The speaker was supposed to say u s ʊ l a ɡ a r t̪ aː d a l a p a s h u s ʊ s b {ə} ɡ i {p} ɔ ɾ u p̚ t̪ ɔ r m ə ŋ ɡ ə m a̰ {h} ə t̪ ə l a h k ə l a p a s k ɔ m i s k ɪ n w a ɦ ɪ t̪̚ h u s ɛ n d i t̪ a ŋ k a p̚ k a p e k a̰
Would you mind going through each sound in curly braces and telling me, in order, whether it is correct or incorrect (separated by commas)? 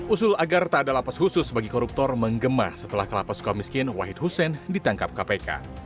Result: incorrect, incorrect, incorrect